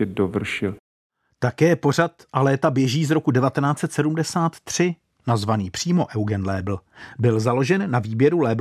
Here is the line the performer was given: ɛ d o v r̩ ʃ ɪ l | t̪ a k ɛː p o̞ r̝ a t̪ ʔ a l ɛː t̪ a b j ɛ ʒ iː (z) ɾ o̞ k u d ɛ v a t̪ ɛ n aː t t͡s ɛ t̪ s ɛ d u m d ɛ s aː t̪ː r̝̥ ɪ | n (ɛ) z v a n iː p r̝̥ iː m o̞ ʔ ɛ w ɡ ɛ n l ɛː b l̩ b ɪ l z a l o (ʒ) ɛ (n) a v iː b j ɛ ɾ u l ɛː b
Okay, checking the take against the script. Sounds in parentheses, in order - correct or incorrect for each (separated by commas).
correct, incorrect, correct, incorrect